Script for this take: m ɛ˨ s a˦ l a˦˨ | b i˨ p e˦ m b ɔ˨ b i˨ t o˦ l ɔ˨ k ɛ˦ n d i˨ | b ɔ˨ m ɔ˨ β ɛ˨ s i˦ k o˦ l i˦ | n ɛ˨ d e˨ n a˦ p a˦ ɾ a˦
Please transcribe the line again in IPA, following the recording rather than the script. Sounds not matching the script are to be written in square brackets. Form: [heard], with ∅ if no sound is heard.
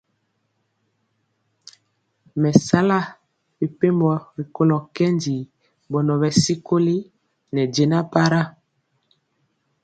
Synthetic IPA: m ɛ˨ s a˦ l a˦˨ | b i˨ p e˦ m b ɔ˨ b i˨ [k] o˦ l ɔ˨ k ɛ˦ n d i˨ | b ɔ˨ [n] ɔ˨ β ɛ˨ s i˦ k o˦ l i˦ | n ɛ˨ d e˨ n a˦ p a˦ ɾ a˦